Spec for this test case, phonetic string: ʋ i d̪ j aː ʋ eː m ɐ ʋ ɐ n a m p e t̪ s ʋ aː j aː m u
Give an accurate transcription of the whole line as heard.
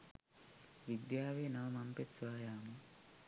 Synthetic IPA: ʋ i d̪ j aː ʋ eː n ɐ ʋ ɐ m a m p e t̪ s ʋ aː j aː m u